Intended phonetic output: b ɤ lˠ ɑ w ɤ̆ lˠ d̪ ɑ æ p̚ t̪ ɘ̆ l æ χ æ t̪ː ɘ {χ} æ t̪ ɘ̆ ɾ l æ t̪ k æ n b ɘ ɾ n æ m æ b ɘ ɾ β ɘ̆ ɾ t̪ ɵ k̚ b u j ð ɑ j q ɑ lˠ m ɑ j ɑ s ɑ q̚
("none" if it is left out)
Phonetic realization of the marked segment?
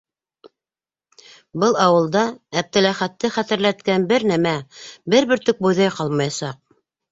χ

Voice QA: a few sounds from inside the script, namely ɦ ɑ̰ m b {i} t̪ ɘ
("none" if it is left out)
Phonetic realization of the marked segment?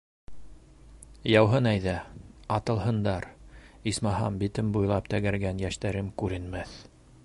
i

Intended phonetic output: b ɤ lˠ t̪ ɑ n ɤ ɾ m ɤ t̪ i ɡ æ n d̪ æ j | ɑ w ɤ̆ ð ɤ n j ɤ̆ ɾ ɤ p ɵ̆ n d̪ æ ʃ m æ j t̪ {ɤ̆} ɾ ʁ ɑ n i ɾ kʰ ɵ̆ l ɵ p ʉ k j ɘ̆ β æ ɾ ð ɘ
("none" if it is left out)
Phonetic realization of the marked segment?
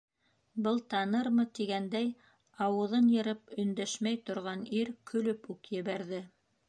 ŏ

